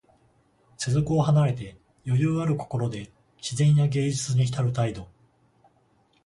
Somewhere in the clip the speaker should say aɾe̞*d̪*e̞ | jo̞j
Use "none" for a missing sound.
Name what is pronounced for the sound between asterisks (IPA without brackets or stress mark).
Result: t̪